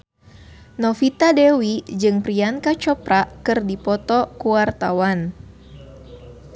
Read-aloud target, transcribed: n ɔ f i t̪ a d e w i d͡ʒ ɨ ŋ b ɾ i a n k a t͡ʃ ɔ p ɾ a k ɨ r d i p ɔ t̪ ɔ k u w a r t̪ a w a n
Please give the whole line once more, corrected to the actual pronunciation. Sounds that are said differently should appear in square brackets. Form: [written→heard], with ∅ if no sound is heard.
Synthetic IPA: n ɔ f i t̪ a d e w i d͡ʒ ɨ ŋ [b→p] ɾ i a n k a t͡ʃ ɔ p ɾ a k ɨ r d i p ɔ t̪ ɔ k u w a r t̪ a w a n